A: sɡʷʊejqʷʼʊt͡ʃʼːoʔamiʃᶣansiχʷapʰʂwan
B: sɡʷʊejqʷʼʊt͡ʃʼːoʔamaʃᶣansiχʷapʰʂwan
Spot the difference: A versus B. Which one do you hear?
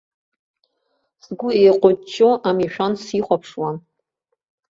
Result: A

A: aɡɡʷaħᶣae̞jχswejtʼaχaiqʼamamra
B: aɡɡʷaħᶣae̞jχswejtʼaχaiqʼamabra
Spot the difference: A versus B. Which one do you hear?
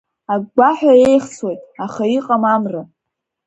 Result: A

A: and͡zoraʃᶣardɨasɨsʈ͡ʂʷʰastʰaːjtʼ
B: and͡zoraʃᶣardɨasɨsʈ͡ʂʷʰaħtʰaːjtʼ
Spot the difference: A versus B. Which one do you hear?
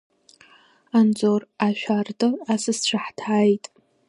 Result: B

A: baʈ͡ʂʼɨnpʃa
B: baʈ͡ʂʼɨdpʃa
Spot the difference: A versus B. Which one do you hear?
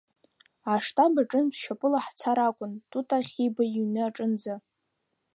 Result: A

